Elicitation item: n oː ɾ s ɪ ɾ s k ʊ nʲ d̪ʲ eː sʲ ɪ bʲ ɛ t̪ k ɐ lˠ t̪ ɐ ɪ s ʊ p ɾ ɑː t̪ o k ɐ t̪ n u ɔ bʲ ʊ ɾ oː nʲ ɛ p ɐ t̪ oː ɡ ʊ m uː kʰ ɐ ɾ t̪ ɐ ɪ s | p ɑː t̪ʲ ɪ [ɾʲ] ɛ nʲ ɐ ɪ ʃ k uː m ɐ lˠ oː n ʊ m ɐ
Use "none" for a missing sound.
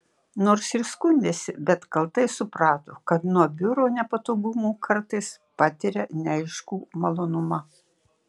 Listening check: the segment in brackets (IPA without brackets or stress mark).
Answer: ɾʲ